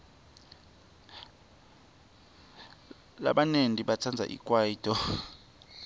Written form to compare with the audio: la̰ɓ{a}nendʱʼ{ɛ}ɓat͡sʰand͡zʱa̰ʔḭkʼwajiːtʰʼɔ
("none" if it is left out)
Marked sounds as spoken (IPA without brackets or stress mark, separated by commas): a, i